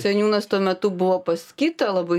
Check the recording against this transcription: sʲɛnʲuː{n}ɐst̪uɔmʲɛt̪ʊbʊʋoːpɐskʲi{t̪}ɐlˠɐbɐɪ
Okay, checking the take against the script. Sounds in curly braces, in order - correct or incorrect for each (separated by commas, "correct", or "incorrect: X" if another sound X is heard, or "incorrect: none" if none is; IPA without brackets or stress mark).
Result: correct, correct